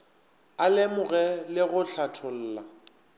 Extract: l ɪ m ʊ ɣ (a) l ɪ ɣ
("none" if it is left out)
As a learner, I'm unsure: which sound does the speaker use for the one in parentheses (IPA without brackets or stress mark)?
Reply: ɛ